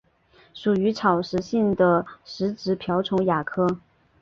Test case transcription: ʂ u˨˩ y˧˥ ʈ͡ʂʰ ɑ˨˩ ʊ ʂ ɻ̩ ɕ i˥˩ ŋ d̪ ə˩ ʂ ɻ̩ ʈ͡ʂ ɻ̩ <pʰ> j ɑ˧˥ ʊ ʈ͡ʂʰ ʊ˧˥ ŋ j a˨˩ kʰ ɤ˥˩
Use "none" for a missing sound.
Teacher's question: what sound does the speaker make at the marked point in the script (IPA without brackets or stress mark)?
pʰ